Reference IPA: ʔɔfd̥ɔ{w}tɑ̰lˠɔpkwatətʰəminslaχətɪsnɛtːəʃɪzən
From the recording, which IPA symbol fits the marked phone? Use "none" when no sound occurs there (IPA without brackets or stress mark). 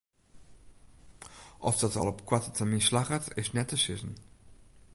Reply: none